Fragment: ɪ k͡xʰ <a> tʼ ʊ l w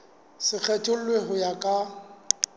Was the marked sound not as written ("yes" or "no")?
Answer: yes